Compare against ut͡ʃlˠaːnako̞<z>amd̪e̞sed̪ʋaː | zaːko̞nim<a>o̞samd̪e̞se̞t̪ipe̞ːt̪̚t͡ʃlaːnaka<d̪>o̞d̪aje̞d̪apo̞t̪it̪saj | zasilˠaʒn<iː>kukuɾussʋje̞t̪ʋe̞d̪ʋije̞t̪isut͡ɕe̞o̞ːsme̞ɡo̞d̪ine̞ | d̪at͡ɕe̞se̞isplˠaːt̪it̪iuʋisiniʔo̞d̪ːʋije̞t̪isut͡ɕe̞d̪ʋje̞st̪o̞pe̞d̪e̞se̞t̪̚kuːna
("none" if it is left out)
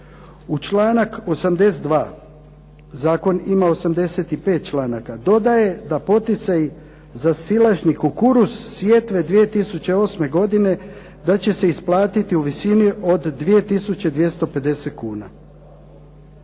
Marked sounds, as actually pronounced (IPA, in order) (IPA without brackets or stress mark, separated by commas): s, a, d̪, i